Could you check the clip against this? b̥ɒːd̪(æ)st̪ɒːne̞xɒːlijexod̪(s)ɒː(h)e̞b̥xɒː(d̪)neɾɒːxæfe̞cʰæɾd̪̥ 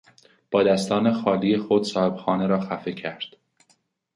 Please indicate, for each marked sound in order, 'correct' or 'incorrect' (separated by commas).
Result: correct, correct, correct, incorrect